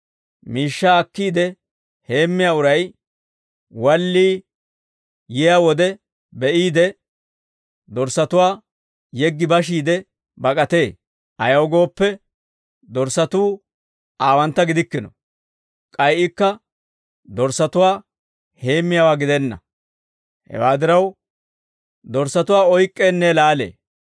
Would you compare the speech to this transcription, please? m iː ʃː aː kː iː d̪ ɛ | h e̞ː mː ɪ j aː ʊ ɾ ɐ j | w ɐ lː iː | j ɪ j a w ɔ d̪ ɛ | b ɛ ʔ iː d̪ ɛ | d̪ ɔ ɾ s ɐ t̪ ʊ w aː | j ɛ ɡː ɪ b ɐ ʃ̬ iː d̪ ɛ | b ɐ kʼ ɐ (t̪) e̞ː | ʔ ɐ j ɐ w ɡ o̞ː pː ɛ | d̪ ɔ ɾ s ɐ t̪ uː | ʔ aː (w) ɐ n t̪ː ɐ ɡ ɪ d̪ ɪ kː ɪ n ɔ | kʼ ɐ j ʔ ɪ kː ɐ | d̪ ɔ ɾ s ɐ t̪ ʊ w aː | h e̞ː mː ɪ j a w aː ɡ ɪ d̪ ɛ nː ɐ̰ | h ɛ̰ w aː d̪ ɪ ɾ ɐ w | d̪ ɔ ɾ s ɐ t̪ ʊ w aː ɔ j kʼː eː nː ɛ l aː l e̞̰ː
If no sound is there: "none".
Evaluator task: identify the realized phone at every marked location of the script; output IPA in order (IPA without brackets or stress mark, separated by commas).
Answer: t̪, w